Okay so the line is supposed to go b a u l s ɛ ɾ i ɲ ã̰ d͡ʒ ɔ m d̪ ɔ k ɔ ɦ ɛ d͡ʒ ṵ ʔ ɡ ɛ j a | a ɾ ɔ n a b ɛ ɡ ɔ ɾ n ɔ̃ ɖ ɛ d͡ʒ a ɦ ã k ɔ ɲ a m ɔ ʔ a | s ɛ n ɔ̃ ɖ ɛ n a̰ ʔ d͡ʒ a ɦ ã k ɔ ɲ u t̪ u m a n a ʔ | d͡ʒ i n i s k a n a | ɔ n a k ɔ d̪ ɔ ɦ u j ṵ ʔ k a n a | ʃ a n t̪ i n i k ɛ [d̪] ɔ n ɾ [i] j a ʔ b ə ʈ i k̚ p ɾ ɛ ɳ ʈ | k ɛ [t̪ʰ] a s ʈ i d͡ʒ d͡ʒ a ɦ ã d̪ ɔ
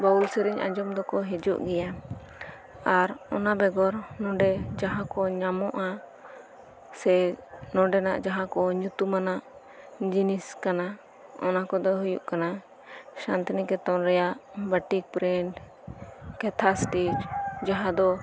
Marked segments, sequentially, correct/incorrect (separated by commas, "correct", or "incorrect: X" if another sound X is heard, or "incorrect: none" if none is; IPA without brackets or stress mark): incorrect: t̪, incorrect: ɛ, correct